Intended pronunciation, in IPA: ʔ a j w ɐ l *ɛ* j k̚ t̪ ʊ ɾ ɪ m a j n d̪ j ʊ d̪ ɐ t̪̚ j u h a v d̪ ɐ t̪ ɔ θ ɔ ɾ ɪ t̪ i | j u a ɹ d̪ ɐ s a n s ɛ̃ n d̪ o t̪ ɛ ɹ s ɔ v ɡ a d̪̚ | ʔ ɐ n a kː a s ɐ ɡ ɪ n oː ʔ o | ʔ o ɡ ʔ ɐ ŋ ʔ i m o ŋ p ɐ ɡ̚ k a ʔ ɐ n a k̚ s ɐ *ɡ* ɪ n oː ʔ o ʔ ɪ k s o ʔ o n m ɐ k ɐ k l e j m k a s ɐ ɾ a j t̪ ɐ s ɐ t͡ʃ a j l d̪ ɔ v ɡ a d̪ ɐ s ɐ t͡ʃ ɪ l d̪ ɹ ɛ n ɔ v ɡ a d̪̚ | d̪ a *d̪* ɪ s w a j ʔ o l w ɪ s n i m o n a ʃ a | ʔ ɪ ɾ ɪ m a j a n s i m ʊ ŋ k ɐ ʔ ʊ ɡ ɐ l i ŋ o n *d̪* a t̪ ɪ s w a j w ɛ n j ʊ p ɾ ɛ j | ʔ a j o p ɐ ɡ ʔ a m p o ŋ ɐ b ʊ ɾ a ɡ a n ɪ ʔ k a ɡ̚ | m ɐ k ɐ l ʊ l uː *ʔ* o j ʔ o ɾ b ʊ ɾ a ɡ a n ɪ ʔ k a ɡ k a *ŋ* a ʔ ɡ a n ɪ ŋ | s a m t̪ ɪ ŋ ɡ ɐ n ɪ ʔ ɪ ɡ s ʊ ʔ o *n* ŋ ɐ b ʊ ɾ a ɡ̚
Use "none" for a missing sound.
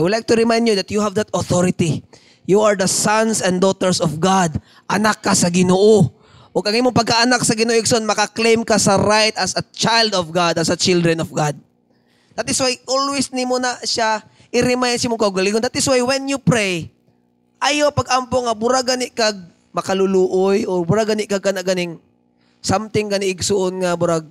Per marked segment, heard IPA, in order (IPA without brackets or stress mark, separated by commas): a, ɡ, t̪, d̪, ʔ, n, n